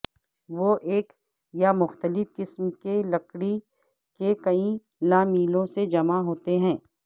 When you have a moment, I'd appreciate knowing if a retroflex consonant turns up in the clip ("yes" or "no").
yes